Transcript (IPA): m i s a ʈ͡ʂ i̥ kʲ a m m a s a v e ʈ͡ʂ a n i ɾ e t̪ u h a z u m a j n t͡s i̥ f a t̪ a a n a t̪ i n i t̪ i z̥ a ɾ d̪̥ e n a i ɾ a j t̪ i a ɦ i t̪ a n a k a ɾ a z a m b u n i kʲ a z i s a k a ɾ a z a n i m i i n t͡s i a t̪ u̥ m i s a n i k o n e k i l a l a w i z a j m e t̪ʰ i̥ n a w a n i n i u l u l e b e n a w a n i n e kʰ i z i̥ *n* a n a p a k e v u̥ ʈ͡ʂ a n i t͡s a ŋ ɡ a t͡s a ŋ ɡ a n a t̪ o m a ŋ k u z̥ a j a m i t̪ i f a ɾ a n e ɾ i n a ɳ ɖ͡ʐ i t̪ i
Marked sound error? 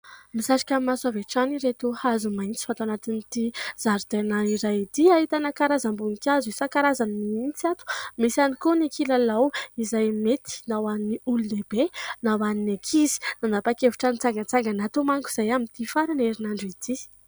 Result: no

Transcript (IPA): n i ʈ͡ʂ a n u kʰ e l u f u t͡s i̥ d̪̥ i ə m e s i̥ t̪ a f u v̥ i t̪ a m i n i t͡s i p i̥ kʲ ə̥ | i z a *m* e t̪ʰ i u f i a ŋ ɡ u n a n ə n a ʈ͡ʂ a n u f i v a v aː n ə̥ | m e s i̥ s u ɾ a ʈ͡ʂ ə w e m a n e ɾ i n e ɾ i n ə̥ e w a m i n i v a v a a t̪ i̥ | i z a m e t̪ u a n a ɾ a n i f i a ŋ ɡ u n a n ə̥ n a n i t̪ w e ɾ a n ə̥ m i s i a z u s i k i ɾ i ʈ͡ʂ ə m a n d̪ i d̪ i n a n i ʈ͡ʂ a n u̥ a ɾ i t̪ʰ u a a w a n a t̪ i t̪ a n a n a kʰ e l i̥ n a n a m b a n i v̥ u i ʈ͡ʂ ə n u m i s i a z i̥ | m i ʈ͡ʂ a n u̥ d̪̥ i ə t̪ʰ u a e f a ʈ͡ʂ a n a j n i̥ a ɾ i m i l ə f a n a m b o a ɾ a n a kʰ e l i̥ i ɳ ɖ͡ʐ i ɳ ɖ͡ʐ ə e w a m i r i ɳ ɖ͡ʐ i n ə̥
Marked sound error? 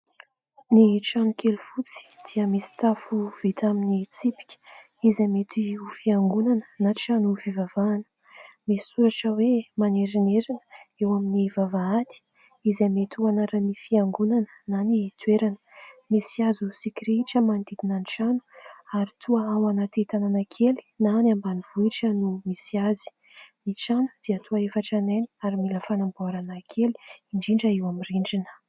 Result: no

